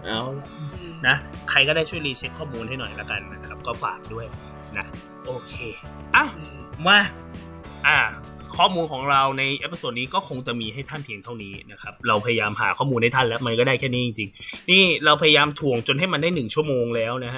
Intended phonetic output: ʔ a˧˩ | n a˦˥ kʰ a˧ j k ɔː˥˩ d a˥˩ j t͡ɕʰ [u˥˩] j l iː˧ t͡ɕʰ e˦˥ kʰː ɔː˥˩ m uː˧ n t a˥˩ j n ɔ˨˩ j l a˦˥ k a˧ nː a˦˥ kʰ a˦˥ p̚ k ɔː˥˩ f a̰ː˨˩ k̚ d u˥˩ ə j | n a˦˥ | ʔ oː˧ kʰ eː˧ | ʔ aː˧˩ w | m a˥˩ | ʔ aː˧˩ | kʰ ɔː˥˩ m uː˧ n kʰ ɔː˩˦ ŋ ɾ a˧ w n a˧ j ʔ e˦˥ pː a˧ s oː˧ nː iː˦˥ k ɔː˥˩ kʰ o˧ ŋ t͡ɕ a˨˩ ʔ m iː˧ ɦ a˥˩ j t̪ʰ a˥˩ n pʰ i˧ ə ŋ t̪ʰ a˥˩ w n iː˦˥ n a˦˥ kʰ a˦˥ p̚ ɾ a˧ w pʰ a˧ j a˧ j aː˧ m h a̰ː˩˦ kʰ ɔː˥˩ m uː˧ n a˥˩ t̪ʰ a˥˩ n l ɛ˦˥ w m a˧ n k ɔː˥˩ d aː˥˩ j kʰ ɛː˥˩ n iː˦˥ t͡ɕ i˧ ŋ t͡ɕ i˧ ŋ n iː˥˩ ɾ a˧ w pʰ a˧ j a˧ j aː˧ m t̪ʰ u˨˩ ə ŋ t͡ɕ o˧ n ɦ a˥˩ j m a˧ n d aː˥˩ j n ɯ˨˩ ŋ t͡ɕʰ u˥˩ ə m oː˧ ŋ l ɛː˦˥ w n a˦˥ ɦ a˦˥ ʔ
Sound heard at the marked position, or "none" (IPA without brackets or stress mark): u˥˩